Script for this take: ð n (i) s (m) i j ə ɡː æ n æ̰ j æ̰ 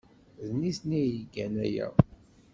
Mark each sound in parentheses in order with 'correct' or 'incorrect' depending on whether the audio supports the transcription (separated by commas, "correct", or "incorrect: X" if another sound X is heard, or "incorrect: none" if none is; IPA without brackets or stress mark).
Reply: correct, incorrect: n